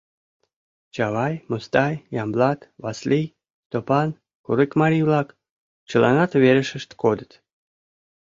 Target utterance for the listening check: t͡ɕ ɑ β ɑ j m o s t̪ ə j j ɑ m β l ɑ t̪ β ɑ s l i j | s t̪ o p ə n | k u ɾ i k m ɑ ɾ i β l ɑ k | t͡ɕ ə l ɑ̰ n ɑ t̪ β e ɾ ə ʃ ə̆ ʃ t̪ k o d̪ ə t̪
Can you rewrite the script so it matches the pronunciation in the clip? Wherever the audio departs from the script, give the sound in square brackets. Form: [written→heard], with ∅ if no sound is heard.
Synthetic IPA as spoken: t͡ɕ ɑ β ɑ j m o s t̪ [ə→ɑ] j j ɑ m [β→b] l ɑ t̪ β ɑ s l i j | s t̪ o p [ə→ɑ] n | k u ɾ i k m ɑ ɾ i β l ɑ k | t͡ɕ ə l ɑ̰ n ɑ t̪ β e ɾ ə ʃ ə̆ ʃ t̪ k o d̪ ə t̪